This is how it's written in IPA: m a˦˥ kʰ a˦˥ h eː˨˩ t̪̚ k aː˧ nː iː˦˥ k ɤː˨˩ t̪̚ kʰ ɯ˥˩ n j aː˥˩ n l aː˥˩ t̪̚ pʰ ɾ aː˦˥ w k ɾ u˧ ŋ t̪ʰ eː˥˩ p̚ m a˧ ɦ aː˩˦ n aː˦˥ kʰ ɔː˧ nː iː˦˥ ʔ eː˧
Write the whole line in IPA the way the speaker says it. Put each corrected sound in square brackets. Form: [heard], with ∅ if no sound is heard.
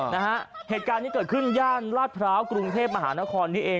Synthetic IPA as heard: [n] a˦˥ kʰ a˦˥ h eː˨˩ t̪̚ k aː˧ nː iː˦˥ k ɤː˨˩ t̪̚ kʰ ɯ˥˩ n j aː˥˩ n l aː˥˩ t̪̚ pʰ ɾ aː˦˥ w k ɾ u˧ ŋ t̪ʰ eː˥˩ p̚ m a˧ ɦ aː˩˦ n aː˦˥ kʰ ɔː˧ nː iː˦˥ ʔ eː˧